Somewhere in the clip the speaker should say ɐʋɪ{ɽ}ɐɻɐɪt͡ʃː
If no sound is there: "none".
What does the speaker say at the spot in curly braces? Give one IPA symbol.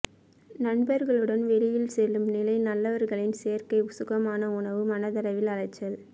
l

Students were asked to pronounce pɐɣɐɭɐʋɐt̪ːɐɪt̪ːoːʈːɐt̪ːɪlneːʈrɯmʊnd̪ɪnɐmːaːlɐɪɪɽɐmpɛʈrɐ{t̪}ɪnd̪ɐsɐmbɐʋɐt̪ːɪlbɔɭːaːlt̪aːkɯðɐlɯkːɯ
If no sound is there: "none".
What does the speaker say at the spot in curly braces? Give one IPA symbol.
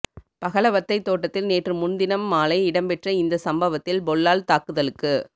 none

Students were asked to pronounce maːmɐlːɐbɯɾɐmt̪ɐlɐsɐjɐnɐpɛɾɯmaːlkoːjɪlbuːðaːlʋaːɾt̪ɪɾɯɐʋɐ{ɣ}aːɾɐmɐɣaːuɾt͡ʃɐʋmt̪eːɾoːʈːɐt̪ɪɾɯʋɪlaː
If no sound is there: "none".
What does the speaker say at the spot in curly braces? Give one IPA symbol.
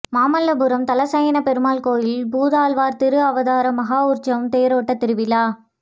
ð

